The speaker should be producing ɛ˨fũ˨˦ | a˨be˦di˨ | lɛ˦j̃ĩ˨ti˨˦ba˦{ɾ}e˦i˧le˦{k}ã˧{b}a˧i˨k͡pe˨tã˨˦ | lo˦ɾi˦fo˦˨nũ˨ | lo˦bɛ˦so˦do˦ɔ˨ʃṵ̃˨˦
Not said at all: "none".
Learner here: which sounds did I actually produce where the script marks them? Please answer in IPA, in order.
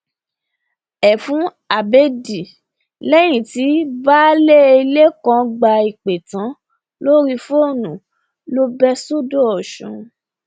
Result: l, k, ɡ͡b

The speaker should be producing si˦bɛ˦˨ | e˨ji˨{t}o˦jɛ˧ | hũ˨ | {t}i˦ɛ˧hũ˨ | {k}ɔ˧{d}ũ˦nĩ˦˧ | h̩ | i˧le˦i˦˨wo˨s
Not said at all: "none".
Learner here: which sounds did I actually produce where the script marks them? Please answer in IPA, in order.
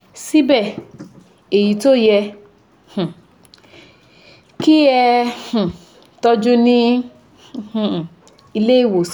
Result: t, k, t, d͡ʒ

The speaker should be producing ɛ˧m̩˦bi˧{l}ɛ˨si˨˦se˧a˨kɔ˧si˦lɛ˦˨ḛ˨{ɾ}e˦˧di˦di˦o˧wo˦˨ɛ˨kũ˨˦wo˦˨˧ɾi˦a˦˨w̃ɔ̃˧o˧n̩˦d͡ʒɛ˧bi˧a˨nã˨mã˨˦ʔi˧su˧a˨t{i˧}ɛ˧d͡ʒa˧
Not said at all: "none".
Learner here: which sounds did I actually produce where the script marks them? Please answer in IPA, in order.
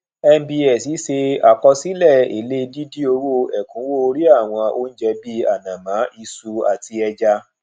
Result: none, l, i˧

